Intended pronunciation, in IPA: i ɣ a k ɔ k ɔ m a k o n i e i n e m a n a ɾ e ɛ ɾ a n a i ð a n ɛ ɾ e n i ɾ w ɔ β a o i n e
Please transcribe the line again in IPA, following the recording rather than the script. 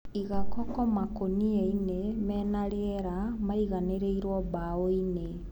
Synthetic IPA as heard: i ɣ a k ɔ k ɔ m a k o n i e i n e m ɛ n a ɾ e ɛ ɾ a m a i ɣ a n e ɾ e i ɾ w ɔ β a o i n e